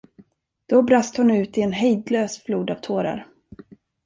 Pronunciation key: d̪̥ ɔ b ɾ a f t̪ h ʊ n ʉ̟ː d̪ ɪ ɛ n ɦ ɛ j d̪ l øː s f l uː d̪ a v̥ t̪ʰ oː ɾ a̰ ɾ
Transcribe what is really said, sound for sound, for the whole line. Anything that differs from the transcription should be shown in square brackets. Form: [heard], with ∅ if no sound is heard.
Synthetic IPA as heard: d̪̥ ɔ b ɾ a [s] t̪ h ʊ n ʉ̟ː [t̪] ɪ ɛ n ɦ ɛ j d̪ l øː s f l uː d̪ a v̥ t̪ʰ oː ɾ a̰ ɾ